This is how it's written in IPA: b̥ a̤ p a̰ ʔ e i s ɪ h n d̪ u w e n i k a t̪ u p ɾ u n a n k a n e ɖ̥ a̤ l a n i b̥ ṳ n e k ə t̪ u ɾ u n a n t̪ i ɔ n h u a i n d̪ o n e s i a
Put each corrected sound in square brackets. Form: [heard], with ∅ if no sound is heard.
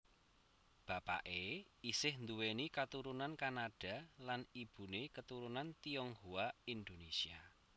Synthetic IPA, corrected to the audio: b̥ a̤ p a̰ ʔ e i s ɪ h n d̪ u w e n i k a t̪ u [∅] ɾ u n a n k a n [a] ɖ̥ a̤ l a n i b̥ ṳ n e k ə t̪ u ɾ u n a n t̪ i ɔ [ŋ] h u a i n d̪ o n e s i a